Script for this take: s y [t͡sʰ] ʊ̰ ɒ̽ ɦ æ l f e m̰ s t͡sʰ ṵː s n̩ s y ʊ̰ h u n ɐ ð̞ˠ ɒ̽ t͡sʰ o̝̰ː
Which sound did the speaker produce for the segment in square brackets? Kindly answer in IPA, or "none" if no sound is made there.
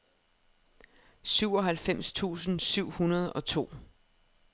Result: none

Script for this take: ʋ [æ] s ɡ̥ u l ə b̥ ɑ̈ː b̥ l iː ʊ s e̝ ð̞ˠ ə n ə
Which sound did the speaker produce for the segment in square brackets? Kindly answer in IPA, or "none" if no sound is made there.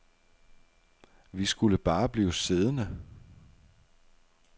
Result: i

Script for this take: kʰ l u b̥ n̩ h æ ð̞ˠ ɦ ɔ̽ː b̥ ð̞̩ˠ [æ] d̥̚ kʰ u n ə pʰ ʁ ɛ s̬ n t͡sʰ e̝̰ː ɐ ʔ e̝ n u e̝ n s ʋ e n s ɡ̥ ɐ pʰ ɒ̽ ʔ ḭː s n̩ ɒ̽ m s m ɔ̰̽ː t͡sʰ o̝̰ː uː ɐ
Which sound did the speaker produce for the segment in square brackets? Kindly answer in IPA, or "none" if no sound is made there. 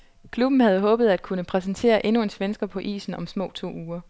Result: æ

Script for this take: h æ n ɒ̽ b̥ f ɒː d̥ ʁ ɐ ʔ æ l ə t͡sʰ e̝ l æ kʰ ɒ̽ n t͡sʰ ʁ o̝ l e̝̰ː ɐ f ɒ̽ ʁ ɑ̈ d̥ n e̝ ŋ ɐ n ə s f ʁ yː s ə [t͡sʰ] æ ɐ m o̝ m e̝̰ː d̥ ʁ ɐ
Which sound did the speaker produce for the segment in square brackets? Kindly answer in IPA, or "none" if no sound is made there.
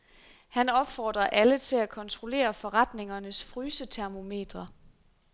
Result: t͡sʰ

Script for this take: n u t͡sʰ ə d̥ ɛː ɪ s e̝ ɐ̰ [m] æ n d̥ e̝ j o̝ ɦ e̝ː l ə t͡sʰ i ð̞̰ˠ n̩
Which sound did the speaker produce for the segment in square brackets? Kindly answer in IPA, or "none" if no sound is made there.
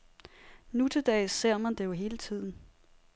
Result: m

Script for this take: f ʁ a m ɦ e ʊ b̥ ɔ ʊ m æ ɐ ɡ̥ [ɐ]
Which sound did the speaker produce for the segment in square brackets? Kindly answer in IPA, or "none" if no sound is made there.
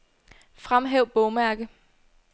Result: ə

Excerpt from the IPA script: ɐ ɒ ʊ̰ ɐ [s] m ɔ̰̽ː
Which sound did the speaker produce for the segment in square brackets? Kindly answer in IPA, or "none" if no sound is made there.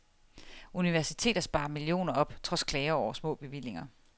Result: s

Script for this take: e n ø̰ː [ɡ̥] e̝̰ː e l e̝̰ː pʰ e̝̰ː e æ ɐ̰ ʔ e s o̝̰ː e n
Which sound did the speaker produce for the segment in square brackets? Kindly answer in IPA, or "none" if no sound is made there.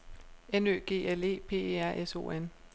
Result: ɡ̥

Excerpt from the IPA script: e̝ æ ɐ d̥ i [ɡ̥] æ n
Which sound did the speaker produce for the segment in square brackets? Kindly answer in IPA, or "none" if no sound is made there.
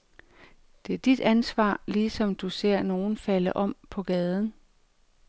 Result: d̥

